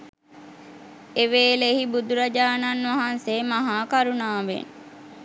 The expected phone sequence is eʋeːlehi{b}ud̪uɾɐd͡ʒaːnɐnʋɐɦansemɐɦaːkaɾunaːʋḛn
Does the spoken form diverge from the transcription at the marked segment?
no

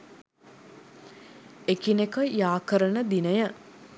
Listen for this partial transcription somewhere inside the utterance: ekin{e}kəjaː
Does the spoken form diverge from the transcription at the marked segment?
no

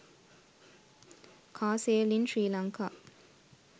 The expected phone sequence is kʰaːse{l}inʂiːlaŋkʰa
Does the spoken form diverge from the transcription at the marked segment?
no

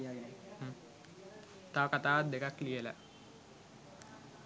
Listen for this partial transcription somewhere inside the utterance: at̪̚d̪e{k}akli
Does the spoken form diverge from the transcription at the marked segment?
no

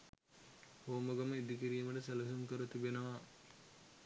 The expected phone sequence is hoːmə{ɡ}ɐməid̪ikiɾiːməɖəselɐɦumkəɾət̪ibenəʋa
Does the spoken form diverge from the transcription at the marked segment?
no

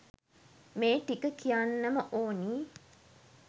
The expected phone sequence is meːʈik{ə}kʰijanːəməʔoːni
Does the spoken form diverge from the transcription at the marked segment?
no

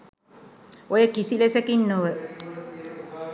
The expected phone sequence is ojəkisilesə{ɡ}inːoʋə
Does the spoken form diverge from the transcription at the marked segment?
yes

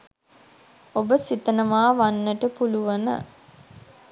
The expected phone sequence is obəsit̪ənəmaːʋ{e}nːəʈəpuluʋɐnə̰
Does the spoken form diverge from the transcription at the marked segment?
yes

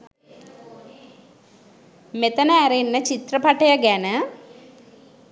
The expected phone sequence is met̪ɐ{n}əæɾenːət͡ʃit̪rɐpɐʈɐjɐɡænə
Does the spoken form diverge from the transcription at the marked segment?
no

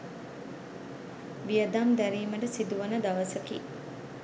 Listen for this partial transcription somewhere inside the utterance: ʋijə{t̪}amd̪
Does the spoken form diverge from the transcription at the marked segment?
yes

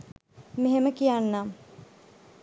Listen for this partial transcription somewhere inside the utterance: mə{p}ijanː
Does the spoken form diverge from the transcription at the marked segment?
yes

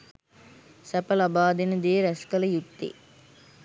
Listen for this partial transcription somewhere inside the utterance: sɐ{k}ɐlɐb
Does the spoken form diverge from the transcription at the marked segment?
yes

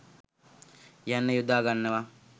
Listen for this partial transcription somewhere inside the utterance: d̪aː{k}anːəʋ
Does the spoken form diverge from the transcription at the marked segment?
yes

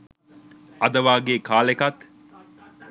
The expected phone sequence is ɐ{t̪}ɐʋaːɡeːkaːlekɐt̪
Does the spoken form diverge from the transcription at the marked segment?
yes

